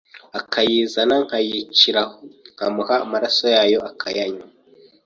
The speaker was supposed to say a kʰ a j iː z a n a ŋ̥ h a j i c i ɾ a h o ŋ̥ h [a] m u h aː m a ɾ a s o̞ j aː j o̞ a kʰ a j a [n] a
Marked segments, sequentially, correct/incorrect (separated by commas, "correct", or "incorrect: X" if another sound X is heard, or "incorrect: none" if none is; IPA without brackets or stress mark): correct, incorrect: ɲ